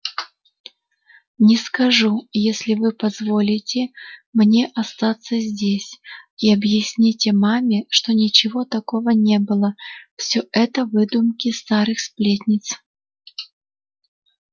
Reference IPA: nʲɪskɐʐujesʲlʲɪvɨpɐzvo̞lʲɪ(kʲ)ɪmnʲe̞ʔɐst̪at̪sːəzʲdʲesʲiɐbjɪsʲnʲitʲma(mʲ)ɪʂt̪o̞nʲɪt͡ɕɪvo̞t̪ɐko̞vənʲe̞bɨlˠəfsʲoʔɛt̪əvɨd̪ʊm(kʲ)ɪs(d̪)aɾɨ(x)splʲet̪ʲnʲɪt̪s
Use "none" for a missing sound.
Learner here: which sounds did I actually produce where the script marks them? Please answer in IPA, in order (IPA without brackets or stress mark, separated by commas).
tʲ, mʲ, kʲ, t̪, x